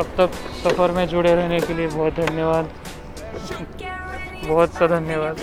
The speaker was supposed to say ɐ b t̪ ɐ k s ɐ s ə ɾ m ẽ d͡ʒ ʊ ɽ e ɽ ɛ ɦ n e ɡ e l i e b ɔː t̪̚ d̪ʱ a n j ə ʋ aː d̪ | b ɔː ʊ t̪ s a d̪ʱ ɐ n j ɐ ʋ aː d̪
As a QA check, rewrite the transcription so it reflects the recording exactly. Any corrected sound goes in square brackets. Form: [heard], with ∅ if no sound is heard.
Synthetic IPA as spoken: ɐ b t̪ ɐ k s ɐ [f] ə ɾ m ẽ d͡ʒ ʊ ɽ e [ɾ] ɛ ɦ n e [k] e l i e b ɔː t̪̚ d̪ʱ [ɐ] n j ə ʋ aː d̪ | b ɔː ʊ t̪ s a d̪ʱ ɐ n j [ə] ʋ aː d̪